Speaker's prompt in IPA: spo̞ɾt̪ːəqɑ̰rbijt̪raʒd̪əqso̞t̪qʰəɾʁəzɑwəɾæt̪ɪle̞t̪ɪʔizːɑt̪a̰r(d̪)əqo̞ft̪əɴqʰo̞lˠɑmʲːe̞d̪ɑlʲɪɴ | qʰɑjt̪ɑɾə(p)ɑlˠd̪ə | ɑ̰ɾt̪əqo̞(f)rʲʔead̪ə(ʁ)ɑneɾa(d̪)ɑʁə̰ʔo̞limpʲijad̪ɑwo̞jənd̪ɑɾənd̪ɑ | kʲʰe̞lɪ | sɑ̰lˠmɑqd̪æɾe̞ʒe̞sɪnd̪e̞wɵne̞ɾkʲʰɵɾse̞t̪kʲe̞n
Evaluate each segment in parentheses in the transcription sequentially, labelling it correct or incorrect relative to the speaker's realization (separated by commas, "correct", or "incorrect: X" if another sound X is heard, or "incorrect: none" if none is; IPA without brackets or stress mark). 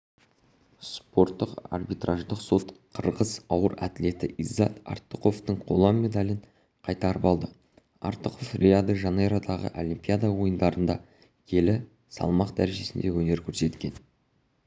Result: incorrect: t̪, correct, correct, incorrect: ʒ, correct